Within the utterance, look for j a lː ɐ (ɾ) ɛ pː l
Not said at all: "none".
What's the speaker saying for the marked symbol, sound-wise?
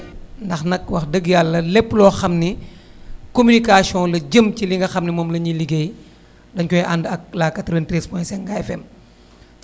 l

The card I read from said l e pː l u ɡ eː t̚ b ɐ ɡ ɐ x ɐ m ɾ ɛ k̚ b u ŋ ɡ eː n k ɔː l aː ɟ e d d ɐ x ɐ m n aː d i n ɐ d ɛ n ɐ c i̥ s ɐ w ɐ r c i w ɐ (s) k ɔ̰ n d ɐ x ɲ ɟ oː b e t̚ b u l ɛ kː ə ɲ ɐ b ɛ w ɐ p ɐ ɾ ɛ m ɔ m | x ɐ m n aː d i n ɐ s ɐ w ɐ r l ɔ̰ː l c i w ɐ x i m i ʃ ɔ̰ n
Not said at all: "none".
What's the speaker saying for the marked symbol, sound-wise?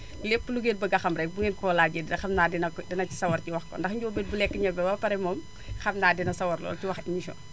x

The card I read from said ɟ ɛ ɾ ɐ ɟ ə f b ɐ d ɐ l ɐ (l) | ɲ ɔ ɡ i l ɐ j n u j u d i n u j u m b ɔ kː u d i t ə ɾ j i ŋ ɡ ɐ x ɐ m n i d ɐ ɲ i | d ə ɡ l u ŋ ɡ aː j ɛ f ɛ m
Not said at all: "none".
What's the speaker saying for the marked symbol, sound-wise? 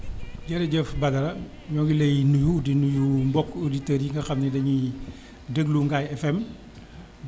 none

